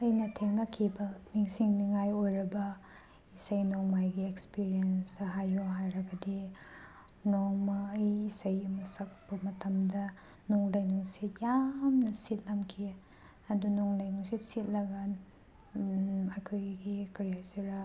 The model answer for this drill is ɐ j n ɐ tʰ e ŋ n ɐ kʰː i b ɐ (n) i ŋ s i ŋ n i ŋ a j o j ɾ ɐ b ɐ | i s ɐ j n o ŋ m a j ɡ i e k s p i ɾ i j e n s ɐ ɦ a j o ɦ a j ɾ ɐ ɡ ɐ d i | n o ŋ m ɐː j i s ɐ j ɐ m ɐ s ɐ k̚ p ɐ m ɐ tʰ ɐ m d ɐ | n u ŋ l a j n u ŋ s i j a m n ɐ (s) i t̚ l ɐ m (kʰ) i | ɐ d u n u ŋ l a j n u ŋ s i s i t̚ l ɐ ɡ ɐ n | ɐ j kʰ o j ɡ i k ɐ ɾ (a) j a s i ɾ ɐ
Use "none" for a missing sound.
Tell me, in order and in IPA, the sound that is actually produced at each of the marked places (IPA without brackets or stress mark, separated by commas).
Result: n, s, kʰ, i